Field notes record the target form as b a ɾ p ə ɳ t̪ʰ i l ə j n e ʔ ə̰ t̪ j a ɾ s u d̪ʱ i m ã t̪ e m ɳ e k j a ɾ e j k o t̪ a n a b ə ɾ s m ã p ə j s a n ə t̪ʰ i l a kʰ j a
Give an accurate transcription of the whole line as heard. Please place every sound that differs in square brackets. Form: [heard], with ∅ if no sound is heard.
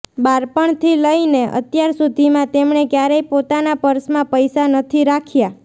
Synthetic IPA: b a ɾ p ə ɳ t̪ʰ i l ə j n e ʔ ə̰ t̪ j a ɾ s u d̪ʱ i m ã t̪ e m ɳ e k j a ɾ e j [p] o t̪ a n a [p] ə ɾ s m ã p ə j s a n ə t̪ʰ i [ɾ] a kʰ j a